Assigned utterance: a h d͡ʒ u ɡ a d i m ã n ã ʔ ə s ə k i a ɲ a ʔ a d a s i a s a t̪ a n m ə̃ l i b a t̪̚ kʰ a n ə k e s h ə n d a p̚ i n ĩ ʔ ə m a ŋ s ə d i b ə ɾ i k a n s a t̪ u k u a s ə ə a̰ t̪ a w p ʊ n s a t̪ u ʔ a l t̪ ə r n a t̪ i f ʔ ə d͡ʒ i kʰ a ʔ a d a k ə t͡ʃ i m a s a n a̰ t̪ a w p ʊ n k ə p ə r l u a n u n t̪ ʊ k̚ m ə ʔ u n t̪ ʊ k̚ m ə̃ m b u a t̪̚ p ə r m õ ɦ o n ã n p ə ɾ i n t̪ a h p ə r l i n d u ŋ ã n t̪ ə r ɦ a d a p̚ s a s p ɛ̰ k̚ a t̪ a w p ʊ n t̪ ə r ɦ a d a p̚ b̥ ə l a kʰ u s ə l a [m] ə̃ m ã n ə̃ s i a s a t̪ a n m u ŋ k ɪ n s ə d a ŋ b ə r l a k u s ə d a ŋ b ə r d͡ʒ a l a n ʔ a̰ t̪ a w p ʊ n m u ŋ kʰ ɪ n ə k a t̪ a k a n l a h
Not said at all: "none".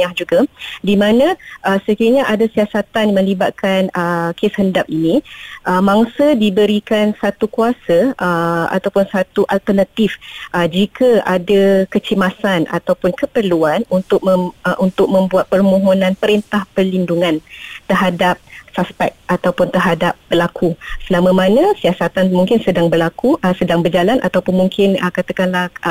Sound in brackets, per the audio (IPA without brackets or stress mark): m